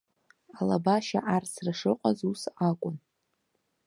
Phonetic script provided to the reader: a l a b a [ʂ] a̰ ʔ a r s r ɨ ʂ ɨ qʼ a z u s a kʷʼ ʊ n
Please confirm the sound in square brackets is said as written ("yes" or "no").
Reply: no